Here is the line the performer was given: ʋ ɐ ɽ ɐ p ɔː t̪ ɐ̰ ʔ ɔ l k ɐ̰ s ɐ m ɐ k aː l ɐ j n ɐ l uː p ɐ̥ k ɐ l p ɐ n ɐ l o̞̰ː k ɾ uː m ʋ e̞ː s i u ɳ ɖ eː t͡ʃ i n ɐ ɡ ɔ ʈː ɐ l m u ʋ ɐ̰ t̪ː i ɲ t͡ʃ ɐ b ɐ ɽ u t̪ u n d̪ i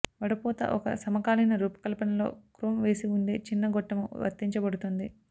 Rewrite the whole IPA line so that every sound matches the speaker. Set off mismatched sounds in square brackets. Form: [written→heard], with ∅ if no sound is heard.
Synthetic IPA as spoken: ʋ ɐ ɽ ɐ p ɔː t̪ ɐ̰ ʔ ɔ [l→∅] k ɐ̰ s ɐ m ɐ k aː l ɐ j n ɐ [l→ɾ] uː p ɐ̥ k ɐ l p ɐ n ɐ l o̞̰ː k ɾ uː m ʋ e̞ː s i u ɳ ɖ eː t͡ʃ i [n→nː] ɐ ɡ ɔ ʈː ɐ [l→∅] m u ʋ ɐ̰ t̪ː i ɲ t͡ʃ ɐ b ɐ ɽ u t̪ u n d̪ i

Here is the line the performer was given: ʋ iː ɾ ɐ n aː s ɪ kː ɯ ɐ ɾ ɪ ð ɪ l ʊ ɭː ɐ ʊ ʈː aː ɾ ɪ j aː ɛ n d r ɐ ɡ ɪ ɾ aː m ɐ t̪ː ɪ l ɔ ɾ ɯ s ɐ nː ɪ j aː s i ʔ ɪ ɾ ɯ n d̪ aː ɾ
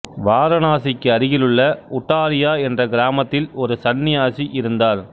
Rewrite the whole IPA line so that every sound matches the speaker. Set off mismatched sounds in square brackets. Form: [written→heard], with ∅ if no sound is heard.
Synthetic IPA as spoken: ʋ [iː→aː] ɾ ɐ n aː s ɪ kː ɯ ɐ ɾ ɪ [ð→ɣ] ɪ l [ʊ→ɯ] ɭː ɐ ʊ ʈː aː ɾ ɪ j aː ɛ n d r ɐ ɡ ɪ ɾ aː m ɐ t̪ː ɪ l ɔ ɾ ɯ s ɐ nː ɪ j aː s i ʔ ɪ ɾ ɯ n d̪ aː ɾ

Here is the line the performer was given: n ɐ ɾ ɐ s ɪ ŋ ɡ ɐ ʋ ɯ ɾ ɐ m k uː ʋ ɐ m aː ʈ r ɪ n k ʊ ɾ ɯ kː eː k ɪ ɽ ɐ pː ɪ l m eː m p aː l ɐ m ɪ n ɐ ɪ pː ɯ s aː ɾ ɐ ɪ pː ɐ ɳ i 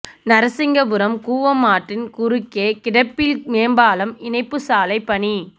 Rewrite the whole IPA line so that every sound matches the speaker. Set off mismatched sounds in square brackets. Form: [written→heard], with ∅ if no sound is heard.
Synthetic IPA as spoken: n ɐ ɾ ɐ s ɪ ŋ ɡ ɐ ʋ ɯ ɾ ɐ m k uː ʋ ɐ m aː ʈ r ɪ n k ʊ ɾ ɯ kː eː k ɪ ɽ ɐ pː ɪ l m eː m [p→b] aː l ɐ m ɪ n ɐ ɪ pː ɯ s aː [ɾ→l] ɐ ɪ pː ɐ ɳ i

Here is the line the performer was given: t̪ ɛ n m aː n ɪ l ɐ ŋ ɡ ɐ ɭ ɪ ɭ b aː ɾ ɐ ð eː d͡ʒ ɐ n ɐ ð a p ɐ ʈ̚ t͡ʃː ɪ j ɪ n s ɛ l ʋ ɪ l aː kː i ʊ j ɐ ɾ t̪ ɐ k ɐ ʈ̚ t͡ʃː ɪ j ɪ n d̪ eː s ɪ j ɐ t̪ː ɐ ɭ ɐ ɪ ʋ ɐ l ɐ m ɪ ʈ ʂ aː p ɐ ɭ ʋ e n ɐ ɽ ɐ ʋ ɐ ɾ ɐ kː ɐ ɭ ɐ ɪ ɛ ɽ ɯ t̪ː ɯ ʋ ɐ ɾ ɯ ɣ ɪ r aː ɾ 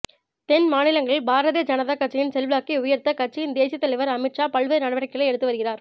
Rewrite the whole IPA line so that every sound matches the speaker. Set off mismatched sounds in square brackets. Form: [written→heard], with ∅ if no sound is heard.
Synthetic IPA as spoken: t̪ ɛ n m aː n ɪ l ɐ ŋ ɡ ɐ ɭ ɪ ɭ b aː ɾ ɐ ð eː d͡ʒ ɐ n ɐ ð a [p→k] ɐ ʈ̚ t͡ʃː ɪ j ɪ n s ɛ l ʋ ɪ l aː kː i ʊ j ɐ ɾ t̪ ɐ k ɐ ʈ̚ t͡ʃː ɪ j ɪ n d̪ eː s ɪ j ɐ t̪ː ɐ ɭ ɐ ɪ ʋ ɐ [l→ɾ] ɐ m ɪ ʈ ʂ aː p ɐ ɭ ʋ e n ɐ ɽ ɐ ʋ ɐ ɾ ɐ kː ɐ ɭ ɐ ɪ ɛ ɽ ɯ t̪ː ɯ ʋ ɐ ɾ ɯ ɣ ɪ r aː ɾ

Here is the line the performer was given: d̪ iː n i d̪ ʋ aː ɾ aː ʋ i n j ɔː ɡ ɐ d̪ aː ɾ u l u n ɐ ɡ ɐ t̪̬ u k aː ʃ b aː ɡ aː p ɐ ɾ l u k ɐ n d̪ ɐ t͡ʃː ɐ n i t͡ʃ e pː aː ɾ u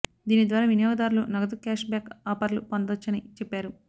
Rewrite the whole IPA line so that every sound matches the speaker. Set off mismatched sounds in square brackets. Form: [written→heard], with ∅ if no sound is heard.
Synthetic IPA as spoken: d̪ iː n i d̪ ʋ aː ɾ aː ʋ i n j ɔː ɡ ɐ d̪ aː ɾ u l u n ɐ ɡ ɐ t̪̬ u k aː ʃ b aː [ɡ→k] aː p ɐ ɾ l u [k→p] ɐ n d̪ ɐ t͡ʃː ɐ n i t͡ʃ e pː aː ɾ u

